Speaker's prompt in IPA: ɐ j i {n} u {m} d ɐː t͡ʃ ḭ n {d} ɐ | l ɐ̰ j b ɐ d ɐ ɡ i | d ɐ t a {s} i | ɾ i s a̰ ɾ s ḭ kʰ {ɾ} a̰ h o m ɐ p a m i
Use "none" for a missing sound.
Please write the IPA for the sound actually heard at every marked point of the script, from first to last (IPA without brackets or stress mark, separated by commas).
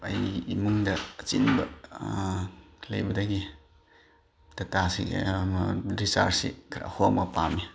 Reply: m, ŋ, b, s, ɾ